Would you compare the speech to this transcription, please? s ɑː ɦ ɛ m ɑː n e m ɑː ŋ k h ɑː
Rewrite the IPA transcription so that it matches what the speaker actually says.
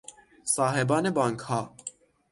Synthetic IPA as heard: s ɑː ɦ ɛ b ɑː n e b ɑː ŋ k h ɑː